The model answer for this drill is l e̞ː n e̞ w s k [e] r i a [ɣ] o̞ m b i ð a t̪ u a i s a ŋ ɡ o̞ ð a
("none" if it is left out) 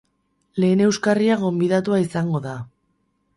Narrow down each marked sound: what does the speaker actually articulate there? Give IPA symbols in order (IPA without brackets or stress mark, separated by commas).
a, ɣ